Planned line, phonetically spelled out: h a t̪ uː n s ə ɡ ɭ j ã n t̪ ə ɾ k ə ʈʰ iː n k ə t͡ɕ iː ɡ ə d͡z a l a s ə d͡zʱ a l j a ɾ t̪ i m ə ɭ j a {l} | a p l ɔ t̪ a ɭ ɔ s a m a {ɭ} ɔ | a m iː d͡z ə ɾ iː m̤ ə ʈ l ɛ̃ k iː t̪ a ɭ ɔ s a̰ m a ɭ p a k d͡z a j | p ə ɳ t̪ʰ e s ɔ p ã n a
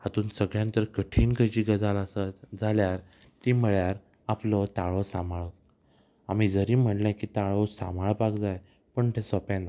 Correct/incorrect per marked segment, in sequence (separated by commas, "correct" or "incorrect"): incorrect, correct